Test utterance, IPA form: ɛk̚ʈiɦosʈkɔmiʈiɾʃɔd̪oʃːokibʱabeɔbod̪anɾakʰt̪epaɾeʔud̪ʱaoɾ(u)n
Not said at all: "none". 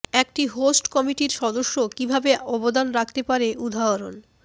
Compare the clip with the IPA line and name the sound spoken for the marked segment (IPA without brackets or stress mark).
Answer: o